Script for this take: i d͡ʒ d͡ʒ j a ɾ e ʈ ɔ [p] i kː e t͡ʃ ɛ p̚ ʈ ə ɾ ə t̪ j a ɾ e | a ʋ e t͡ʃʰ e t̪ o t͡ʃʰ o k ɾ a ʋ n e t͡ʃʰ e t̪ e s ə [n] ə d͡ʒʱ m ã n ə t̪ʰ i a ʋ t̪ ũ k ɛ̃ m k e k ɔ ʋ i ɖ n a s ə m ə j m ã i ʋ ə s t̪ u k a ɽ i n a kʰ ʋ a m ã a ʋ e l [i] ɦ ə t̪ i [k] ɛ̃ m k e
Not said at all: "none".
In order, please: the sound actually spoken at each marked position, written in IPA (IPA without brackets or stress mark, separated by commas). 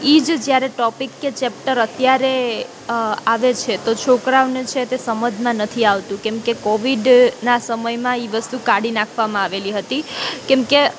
p, m, i, k